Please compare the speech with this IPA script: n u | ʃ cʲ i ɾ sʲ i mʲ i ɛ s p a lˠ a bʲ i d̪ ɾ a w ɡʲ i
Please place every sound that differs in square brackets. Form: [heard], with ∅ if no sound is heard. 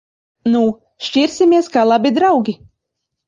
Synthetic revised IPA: n u | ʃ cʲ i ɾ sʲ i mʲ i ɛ s [k] a lˠ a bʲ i d̪ ɾ a w ɡʲ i